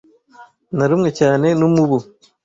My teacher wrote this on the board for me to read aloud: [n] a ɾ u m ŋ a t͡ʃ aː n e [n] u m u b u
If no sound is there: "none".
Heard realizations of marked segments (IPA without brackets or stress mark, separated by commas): n, n